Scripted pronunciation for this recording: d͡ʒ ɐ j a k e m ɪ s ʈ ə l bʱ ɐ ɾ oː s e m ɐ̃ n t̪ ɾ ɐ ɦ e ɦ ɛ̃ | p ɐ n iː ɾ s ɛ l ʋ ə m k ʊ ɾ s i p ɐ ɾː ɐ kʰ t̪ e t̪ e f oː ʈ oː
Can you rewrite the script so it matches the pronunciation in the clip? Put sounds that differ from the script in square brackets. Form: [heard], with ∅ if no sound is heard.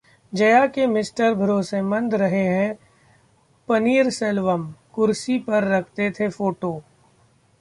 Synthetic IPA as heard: d͡ʒ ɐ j a k e m ɪ s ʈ ə [ɾ] bʱ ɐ ɾ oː s e m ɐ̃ n [d̪] ɾ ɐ ɦ e ɦ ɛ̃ | p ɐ n iː ɾ s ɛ l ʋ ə m k ʊ ɾ s i p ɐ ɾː ɐ kʰ t̪ e [t̪ʰ] e f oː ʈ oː